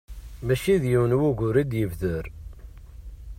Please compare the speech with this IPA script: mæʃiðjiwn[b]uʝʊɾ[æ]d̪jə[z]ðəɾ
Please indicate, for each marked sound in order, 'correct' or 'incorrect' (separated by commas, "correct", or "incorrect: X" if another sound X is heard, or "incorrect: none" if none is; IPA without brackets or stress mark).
incorrect: w, incorrect: i, incorrect: v